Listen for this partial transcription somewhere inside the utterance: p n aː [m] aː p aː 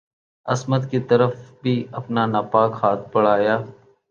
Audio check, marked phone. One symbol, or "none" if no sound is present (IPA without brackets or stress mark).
n